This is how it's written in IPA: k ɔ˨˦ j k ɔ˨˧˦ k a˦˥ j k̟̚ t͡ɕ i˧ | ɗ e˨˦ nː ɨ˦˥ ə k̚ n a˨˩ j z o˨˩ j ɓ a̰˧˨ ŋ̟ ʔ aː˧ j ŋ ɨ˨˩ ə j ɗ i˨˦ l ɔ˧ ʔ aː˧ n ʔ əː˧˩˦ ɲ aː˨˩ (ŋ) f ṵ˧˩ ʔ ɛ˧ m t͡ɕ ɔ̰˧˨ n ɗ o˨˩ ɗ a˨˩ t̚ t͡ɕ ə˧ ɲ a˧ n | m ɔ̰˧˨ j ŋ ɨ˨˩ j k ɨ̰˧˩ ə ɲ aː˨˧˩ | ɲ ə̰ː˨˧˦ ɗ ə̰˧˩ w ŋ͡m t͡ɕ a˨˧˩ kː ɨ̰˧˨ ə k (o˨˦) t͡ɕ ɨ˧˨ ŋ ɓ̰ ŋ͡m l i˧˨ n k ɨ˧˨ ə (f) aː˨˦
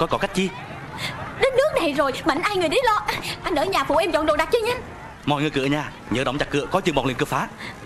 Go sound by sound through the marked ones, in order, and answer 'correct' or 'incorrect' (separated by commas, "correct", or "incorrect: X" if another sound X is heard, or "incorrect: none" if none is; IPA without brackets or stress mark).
incorrect: none, incorrect: ɔ˨˦, correct